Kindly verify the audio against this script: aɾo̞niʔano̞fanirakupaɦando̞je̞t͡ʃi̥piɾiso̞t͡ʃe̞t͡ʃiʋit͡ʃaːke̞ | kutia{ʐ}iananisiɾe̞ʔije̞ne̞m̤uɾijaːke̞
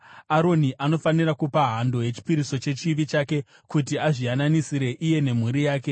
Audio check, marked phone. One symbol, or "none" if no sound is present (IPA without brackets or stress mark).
ʐ